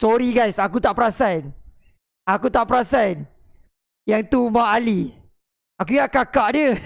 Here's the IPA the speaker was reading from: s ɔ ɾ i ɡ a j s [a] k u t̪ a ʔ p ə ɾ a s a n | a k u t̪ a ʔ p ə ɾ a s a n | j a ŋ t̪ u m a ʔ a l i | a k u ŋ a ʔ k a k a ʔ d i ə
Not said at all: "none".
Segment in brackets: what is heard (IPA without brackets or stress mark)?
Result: a